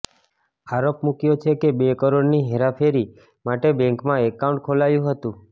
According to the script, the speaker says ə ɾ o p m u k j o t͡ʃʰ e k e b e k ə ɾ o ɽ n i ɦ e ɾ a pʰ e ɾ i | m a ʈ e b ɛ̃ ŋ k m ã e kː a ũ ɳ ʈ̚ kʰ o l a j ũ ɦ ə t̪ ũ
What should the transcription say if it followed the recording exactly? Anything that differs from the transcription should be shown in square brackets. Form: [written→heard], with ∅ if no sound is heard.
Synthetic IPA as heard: [ə→a] ɾ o p m u k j o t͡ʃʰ e k e b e k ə ɾ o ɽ n i ɦ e ɾ a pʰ e ɾ i | m a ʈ e b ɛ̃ ŋ k m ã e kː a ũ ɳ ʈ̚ kʰ o l a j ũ ɦ ə t̪ ũ